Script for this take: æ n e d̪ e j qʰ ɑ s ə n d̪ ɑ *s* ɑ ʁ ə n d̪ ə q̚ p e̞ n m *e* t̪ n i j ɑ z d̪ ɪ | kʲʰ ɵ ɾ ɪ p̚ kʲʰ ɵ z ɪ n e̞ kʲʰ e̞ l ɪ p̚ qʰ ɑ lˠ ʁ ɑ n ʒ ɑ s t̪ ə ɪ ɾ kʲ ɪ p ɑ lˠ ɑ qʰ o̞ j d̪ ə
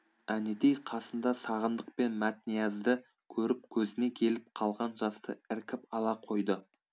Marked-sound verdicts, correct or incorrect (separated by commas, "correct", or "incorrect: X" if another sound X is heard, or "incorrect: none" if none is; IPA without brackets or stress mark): correct, incorrect: æ